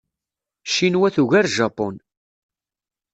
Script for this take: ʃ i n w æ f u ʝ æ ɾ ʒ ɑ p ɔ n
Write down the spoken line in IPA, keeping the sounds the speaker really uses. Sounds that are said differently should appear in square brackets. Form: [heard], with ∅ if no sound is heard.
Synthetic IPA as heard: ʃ i n w æ [θ] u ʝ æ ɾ ʒ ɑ p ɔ n